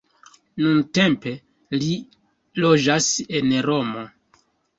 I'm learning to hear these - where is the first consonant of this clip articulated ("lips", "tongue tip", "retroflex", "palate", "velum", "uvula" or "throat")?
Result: tongue tip